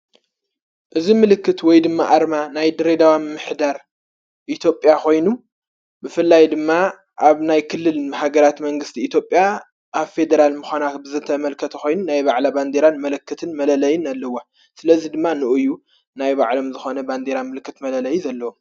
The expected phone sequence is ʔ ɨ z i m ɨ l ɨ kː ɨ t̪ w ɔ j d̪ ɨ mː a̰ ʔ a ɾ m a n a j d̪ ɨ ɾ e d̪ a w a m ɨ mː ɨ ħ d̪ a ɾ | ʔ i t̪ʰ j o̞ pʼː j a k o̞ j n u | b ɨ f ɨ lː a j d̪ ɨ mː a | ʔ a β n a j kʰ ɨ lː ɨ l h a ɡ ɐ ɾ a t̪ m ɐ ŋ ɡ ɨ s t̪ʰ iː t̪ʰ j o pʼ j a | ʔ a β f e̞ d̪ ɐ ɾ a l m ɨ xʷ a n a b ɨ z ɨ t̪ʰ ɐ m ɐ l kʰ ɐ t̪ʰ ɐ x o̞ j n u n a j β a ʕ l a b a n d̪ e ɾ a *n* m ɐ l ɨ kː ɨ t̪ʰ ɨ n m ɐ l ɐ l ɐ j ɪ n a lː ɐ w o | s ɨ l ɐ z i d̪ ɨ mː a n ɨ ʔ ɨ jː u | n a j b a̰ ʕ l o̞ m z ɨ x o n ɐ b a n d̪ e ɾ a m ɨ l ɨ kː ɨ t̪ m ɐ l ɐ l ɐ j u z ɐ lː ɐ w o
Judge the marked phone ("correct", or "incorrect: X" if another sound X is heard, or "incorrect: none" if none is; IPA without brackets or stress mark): correct